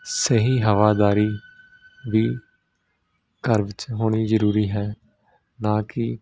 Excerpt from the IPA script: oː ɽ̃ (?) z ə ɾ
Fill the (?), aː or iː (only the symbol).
iː